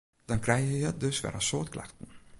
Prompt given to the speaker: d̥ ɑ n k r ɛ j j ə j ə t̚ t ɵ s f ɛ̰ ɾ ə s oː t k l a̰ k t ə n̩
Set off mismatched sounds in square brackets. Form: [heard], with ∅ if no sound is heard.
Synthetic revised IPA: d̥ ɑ n k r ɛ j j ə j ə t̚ [d] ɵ s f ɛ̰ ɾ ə s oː t k l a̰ [x] t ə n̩